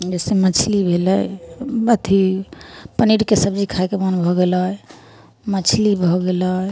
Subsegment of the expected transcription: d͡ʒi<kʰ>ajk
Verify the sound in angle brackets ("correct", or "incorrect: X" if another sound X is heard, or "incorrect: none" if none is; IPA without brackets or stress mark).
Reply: correct